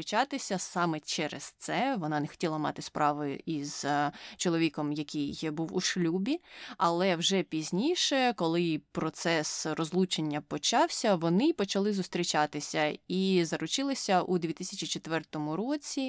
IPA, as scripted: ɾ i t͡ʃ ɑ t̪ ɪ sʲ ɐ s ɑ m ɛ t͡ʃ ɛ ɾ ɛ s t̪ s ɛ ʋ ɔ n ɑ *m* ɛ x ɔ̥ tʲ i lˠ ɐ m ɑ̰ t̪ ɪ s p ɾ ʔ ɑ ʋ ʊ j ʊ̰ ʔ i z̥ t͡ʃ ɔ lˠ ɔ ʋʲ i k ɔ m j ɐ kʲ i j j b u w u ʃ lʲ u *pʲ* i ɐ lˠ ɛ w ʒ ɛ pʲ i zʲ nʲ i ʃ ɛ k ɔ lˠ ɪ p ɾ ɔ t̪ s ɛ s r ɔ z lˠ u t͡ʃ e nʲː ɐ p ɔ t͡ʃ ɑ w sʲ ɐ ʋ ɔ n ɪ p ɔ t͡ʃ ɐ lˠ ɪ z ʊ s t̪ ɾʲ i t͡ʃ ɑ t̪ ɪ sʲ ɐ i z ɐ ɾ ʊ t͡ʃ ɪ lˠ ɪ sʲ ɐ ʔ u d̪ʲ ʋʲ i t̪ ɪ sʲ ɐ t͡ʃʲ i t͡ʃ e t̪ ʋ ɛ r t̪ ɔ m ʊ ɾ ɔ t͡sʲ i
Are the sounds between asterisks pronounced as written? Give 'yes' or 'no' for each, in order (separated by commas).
no, no